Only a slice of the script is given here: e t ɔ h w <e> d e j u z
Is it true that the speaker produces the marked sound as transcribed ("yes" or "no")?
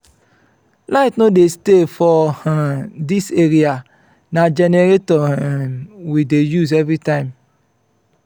no